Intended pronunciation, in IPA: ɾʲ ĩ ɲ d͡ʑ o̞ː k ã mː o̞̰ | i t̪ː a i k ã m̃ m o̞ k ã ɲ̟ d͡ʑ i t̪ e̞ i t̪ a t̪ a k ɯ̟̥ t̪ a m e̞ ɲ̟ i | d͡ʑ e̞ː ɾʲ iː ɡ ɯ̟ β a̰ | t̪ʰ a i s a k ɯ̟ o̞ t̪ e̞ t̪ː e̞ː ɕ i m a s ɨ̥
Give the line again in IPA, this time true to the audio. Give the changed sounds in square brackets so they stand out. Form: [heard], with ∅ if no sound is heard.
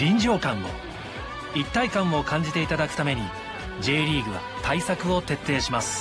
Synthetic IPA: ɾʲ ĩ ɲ d͡ʑ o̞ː k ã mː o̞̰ | i t̪ː a i k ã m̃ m o̞ k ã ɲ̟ d͡ʑ i t̪ e̞ i t̪ a [d̪] a k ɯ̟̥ t̪ a m e̞ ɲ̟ i | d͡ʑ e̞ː ɾʲ iː ɡ ɯ̟ β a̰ | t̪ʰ a i s a k ɯ̟ o̞ t̪ e̞ t̪ː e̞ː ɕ i m a s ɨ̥